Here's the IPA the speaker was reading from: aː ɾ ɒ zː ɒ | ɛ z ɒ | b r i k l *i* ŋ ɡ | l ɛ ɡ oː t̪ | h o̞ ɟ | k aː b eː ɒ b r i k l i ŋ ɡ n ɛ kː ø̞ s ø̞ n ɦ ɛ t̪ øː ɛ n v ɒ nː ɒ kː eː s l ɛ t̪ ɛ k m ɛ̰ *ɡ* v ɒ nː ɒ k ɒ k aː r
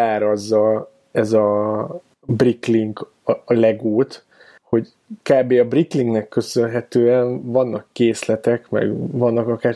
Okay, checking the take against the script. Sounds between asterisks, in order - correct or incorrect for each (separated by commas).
correct, correct